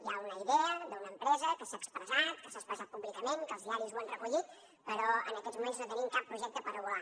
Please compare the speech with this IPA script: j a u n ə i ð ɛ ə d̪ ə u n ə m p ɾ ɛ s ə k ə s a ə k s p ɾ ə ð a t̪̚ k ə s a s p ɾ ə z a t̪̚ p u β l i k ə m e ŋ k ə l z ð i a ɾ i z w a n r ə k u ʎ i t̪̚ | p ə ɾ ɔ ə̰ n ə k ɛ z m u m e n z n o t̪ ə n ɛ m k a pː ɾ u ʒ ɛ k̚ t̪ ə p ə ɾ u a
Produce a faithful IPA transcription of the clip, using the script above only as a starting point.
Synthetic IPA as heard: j a u n ə i ð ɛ ə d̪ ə u n ə m p ɾ ɛ z ə k ə s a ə k s p ɾ ə z a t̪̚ k ə s a s p ɾ ə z a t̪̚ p u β l i k ə m e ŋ k ə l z ð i a ɾ i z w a n r ə k u ʎ i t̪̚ | p ə ɾ ɔ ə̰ n ə k ɛ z m u m e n z n o t̪ ə n i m k a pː ɾ u ʒ ɛ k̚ t̪ ə p ə ɾ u a